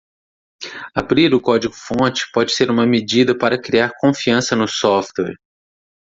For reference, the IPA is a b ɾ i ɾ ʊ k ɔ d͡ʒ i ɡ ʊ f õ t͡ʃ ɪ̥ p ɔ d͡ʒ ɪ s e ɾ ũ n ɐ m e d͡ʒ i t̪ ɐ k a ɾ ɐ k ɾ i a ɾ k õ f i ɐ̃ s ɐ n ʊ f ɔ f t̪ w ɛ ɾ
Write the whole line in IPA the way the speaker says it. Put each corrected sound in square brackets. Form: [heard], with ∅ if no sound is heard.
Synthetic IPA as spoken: a b ɾ i ɾ ʊ k ɔ d͡ʒ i ɡ ʊ f õ t͡ʃ ɪ̥ p ɔ d͡ʒ ɪ s e ɾ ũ [m] ɐ m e d͡ʒ i [d̪] ɐ [p] a ɾ ɐ k ɾ i a ɾ k õ f i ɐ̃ s ɐ n ʊ [s] ɔ f t̪ w ɛ ɾ